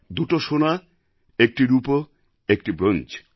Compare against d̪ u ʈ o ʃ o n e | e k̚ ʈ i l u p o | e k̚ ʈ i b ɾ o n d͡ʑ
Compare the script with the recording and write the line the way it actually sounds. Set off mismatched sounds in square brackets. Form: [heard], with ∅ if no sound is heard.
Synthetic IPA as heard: d̪ u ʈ o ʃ o n [a] | e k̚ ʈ i [ɾ] u p o | e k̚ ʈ i b ɾ o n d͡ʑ